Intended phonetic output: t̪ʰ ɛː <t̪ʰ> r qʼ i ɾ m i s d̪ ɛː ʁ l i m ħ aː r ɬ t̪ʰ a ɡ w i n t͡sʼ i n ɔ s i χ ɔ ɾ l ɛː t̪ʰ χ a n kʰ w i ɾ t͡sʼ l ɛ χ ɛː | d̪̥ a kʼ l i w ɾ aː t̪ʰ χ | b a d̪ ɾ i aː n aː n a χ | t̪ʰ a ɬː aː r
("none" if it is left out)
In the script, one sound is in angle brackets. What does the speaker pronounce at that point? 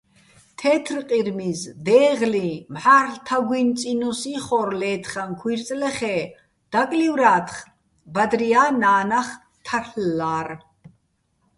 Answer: t̪ʰ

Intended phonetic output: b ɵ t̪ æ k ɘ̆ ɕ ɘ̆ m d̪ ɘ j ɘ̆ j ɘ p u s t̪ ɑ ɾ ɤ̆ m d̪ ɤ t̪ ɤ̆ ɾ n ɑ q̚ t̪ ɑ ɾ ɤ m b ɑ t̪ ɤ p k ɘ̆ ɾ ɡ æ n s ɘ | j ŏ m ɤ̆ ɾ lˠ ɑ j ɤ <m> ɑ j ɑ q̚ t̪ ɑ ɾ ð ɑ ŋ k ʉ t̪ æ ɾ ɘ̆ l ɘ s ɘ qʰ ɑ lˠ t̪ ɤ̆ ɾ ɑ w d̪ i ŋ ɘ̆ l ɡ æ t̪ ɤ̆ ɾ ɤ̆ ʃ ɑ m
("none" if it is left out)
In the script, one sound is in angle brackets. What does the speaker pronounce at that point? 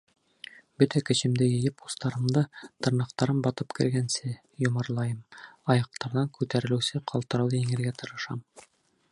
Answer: m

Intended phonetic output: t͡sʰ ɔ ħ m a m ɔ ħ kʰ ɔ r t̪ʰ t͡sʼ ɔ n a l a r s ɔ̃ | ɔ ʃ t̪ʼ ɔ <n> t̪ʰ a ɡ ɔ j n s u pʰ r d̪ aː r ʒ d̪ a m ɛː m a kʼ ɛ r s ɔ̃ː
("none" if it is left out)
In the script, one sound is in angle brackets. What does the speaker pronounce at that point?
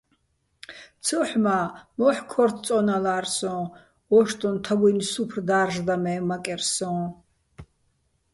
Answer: n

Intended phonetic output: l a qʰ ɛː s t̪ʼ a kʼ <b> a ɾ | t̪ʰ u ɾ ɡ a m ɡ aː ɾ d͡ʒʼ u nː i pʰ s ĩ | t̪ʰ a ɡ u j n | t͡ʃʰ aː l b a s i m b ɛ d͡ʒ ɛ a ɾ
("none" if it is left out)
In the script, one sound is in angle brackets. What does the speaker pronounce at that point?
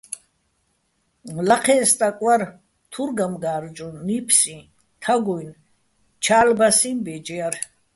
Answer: w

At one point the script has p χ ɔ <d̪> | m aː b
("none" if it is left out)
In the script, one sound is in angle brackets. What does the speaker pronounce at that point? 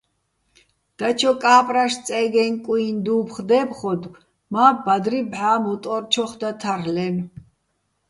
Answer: d̪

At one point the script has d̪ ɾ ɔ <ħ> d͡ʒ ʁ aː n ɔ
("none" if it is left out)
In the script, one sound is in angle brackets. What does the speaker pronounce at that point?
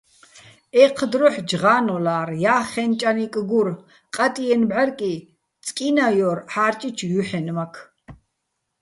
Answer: ħ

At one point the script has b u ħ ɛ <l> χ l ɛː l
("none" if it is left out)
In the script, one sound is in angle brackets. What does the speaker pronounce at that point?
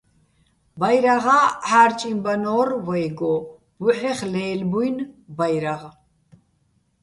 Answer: none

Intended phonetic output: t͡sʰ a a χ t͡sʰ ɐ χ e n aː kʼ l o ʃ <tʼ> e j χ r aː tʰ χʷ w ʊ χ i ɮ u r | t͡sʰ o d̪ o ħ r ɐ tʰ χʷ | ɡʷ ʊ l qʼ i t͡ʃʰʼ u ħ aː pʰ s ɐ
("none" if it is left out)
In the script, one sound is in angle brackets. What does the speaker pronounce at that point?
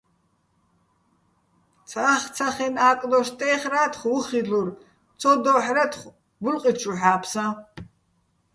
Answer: tʼ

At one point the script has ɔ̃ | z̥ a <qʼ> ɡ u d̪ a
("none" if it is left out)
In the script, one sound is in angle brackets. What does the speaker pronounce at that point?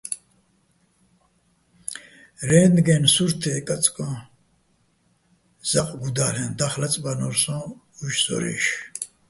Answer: qʼ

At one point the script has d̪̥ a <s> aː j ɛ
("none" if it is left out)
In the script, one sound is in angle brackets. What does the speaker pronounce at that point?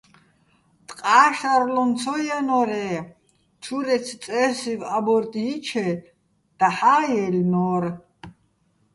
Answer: ħ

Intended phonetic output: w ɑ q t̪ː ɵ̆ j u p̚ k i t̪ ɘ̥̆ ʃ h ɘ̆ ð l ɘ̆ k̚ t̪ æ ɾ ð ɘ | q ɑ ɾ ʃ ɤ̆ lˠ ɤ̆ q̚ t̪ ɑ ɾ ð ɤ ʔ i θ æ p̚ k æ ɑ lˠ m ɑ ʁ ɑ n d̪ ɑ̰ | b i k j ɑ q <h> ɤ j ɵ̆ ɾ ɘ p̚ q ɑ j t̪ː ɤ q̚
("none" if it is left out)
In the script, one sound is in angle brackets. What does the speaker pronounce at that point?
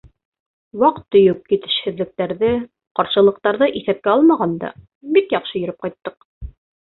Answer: ʃ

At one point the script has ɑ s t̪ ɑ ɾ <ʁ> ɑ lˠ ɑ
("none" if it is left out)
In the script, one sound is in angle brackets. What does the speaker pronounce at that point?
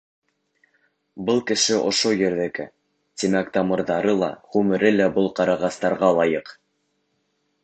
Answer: ʁ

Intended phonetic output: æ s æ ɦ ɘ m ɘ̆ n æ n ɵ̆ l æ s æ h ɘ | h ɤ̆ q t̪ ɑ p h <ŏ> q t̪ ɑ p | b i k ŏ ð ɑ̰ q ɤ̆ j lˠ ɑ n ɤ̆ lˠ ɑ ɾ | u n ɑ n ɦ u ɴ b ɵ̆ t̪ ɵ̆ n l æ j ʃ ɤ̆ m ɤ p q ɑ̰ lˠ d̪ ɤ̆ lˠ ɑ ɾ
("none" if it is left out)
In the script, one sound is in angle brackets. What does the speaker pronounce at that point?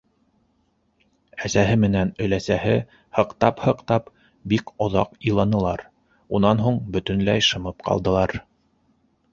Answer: ɤ̆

